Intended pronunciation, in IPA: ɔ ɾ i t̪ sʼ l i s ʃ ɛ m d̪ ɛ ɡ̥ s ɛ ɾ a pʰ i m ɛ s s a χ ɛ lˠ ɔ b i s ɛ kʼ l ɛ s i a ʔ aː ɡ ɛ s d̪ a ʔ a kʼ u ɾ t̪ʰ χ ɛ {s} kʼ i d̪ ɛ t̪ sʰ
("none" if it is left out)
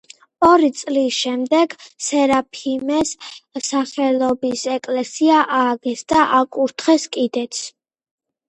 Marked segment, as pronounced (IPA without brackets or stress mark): s